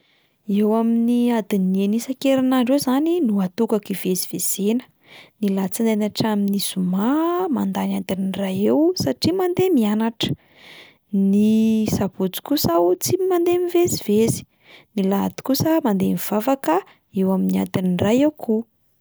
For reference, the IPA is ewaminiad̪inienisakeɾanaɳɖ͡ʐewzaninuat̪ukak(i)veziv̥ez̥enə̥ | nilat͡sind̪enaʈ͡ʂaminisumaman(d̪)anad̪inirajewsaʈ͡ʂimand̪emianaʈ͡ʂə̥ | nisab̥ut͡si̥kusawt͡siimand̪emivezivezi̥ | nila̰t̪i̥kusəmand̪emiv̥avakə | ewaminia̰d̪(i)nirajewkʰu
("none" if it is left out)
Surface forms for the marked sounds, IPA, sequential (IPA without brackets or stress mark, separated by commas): i, d̪, i